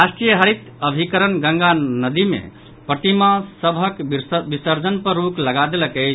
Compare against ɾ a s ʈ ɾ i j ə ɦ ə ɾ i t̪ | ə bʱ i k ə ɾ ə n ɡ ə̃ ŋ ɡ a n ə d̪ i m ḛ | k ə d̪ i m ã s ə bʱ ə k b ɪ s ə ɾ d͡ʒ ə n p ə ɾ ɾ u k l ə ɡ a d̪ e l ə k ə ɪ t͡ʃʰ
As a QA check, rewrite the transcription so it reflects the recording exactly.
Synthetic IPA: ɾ a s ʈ ɾ i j ə ɦ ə ɾ i t̪ | ə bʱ i k ə ɾ ə n ɡ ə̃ ŋ ɡ a n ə d̪ i m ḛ | p ə t̪ i m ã s ə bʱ ə k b i s ə ɾ d͡ʒ ə n p ə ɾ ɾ u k l ə ɡ a d̪ e l ə k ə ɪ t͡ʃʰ